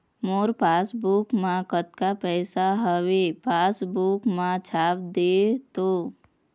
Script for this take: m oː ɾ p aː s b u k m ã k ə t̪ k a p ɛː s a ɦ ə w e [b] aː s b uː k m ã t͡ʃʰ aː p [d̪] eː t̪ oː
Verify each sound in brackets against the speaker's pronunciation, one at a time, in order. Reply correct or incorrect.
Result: incorrect: p, correct

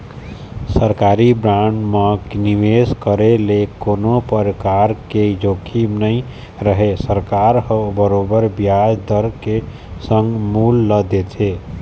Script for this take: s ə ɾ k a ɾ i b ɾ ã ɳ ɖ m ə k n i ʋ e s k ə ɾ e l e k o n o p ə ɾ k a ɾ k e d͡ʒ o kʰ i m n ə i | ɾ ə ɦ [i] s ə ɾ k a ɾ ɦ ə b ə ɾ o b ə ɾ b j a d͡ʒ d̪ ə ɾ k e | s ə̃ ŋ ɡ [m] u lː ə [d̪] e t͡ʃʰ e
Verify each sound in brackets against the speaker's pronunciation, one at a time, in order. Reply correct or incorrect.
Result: incorrect: e, correct, correct

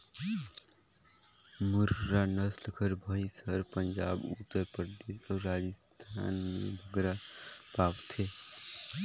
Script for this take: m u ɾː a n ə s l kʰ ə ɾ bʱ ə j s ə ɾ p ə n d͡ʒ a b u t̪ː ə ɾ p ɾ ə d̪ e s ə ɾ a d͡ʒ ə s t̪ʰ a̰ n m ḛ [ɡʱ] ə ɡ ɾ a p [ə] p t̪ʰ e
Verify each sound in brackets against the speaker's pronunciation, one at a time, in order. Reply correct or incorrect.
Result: incorrect: bʱ, incorrect: a

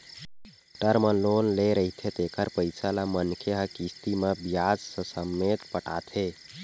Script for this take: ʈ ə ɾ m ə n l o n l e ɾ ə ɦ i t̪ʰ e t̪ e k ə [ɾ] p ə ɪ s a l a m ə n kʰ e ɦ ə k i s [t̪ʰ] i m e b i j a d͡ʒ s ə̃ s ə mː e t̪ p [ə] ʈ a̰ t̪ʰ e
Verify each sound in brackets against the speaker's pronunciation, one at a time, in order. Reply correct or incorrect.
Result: correct, incorrect: t̪, correct

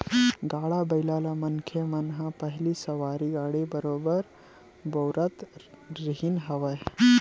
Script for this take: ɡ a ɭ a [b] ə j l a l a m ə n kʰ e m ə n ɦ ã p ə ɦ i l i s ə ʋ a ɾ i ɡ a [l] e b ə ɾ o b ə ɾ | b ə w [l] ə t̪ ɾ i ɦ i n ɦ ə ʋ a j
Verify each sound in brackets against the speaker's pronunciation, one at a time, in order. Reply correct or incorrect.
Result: correct, incorrect: ɽ, incorrect: ɾ

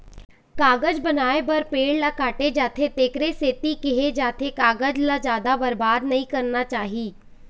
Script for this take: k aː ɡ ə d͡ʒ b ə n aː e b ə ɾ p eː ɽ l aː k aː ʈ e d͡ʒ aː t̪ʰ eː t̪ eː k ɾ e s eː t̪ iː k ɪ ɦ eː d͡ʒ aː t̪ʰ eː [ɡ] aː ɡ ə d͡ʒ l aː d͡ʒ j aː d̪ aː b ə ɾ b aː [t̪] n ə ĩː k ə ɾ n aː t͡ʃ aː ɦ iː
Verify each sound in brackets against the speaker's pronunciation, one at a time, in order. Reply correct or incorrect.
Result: incorrect: k, incorrect: d̪

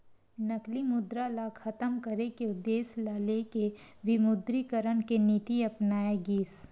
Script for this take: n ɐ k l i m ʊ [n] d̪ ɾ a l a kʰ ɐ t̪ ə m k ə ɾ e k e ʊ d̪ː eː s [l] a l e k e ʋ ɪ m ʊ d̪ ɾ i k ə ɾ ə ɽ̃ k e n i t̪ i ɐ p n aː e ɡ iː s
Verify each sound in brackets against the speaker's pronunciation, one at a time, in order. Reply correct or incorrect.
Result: incorrect: none, correct

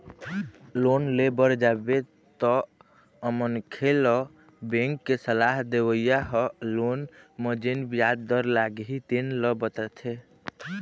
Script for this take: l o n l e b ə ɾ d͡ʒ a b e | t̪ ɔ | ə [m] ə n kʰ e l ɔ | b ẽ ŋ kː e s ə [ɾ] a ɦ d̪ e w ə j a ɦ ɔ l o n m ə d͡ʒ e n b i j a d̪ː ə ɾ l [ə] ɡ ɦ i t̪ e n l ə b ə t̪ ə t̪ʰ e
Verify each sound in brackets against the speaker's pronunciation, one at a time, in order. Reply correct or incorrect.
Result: correct, incorrect: l, incorrect: a

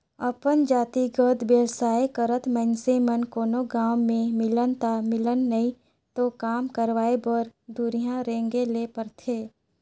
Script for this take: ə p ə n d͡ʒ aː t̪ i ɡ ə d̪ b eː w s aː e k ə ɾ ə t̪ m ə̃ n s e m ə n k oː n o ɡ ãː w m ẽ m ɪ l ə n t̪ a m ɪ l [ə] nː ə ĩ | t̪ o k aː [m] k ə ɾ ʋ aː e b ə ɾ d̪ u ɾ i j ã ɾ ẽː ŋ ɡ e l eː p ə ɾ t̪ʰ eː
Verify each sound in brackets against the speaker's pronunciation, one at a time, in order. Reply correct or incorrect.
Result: correct, correct

